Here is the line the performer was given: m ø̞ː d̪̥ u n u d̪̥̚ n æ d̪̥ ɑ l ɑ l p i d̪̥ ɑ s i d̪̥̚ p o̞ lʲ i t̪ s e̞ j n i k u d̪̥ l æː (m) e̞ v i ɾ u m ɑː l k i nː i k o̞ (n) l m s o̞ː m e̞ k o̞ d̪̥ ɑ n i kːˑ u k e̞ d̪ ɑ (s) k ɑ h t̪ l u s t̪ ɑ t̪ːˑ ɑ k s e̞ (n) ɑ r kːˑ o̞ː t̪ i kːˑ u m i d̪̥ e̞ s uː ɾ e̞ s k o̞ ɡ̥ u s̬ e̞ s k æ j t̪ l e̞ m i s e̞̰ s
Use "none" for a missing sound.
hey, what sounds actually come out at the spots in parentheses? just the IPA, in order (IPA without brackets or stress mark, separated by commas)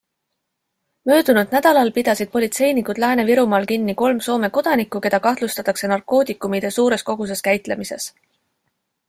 n, none, none, n